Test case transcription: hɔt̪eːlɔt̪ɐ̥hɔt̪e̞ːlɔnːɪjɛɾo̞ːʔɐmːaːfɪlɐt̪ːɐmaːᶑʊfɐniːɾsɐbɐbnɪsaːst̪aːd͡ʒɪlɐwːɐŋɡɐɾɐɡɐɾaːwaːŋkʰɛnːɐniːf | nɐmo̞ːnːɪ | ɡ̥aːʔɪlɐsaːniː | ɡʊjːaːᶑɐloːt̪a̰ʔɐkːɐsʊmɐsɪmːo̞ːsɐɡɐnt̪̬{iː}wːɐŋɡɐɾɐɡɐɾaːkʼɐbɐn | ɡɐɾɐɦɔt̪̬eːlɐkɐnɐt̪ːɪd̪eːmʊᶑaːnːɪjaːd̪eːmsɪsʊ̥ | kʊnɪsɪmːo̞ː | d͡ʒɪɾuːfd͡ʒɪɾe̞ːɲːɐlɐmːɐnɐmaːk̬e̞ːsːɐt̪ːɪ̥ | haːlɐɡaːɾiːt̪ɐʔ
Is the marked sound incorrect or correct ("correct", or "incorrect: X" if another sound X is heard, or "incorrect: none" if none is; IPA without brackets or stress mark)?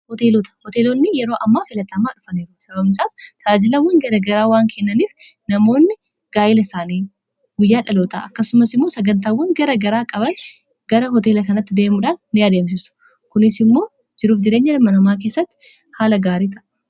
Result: incorrect: aː